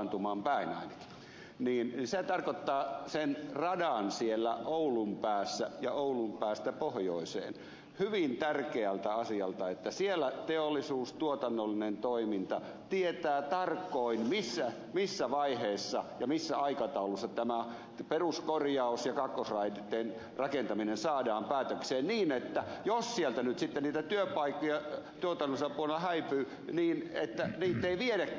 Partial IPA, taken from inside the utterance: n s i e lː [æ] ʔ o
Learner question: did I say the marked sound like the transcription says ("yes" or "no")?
yes